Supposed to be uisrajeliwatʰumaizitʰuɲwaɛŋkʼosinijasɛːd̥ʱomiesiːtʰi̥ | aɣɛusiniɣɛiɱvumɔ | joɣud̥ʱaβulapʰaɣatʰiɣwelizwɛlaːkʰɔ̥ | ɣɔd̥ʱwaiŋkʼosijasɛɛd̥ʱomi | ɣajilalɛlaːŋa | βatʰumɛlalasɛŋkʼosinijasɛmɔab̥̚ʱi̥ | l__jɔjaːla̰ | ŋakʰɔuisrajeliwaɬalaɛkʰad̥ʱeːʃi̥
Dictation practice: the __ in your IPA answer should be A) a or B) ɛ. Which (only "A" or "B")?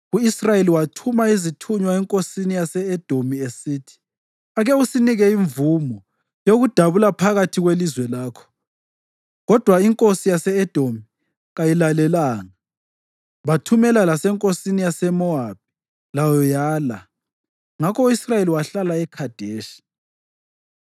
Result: A